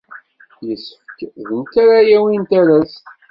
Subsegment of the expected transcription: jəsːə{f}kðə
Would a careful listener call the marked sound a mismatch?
no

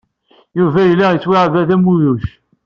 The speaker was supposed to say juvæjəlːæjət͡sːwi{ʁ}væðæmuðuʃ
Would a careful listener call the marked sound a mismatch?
yes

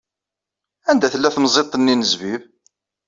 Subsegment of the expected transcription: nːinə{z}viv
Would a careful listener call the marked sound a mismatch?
no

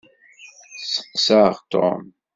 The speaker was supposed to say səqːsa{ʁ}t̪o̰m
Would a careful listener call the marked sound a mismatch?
no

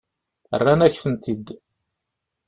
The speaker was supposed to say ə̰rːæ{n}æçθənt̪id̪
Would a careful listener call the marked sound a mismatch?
no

